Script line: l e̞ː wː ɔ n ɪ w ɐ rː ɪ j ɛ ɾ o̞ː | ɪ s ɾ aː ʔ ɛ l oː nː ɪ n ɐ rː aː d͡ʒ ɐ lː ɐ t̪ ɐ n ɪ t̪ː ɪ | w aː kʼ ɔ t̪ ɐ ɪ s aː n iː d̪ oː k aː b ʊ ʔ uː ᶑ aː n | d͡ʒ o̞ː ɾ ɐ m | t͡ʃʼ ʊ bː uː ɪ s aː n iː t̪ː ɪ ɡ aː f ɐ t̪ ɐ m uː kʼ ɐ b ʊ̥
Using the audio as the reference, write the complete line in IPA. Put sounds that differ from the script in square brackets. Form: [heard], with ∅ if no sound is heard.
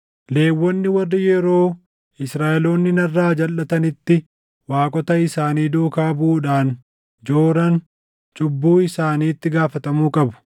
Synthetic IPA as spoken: l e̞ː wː ɔ [nː] ɪ w ɐ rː ɪ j ɛ ɾ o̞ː | ɪ s ɾ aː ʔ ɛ l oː nː ɪ n ɐ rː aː d͡ʒ ɐ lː ɐ t̪ ɐ n ɪ t̪ː ɪ | w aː kʼ ɔ t̪ ɐ ɪ s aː n iː d̪ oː k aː b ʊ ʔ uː ᶑ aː n | d͡ʒ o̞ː ɾ ɐ [n] | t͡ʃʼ ʊ bː uː ɪ s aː n iː t̪ː ɪ ɡ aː f ɐ t̪ ɐ m uː kʼ ɐ b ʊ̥